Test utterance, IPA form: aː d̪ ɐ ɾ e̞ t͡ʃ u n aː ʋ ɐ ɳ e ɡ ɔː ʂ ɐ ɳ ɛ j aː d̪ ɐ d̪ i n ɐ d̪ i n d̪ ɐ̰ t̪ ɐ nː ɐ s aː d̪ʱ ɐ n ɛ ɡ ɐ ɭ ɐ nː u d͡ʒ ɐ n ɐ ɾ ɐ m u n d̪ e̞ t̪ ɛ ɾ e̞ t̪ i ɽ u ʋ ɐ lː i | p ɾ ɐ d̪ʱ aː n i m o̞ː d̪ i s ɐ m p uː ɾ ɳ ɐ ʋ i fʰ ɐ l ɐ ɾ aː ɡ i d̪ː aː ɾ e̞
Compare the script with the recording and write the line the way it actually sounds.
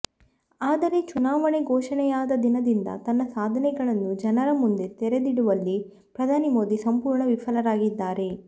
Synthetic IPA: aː d̪ ɐ ɾ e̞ t͡ʃ u n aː ʋ ɐ ɳ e ɡ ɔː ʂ ɐ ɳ ɛ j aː d̪ ɐ d̪ i n ɐ d̪ i n d̪ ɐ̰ t̪ ɐ nː ɐ s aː d̪ʱ ɐ n ɛ ɡ ɐ ɭ ɐ nː u d͡ʒ ɐ n ɐ ɾ ɐ m u n d̪ e̞ t̪ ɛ ɾ e̞ d̪ i ɽ u ʋ ɐ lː i | p ɾ ɐ d̪ʱ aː n i m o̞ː d̪ i s ɐ m p uː ɾ ɳ ɐ ʋ i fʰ ɐ l ɐ ɾ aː ɡ i d̪ː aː ɾ e̞